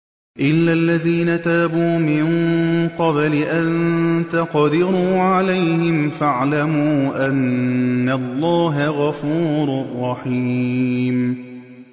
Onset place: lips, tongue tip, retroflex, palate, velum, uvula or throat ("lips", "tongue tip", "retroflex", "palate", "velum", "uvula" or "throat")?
throat